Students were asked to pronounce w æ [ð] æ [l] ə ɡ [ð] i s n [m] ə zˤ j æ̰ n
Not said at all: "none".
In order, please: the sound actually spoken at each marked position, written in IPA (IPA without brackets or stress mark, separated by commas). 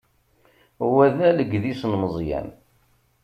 ð, l, ð, m